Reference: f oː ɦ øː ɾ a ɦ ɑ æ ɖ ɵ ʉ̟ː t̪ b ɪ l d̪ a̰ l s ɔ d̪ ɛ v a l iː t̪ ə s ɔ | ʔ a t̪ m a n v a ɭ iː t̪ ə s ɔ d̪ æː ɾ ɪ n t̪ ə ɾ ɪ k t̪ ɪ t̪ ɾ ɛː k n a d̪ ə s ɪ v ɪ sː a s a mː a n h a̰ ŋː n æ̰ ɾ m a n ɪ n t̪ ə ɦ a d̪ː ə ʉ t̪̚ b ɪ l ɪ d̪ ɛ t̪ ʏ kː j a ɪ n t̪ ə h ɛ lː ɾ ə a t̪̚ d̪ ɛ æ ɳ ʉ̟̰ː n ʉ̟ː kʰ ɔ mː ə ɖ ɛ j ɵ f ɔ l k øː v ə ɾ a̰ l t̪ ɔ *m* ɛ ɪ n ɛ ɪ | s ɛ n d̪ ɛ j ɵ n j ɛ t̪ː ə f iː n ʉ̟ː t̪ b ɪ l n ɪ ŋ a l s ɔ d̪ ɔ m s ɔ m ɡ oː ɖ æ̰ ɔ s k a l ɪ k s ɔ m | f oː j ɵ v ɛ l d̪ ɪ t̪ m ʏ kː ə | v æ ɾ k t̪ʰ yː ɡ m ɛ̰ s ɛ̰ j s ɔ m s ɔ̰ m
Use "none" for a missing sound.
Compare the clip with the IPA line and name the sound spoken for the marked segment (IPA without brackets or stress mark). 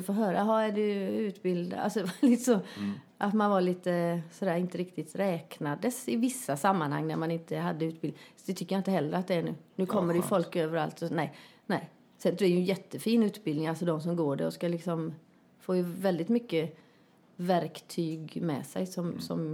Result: n